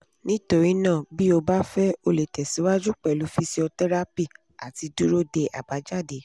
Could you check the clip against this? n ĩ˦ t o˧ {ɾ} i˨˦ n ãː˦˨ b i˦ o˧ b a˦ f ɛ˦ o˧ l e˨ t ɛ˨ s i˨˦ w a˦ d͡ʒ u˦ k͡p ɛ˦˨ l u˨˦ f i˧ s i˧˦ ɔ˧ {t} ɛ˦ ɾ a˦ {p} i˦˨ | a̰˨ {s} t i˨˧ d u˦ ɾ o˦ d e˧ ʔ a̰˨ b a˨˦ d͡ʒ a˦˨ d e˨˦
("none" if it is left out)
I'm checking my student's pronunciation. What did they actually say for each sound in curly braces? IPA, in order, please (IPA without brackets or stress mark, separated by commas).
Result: ɾ, t, p, none